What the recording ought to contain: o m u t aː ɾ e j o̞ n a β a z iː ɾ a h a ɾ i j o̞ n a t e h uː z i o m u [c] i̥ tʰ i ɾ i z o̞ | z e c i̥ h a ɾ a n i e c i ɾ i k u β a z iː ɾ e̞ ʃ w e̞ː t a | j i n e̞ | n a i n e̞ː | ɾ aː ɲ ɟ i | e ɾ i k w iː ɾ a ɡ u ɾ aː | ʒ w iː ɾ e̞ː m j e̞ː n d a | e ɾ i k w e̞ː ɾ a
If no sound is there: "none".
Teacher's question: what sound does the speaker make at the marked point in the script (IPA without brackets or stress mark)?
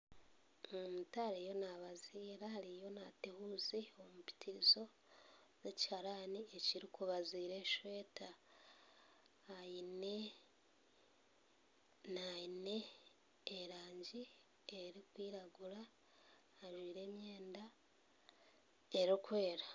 p